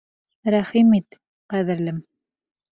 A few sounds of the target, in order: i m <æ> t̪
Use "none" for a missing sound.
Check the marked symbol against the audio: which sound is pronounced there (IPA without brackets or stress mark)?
i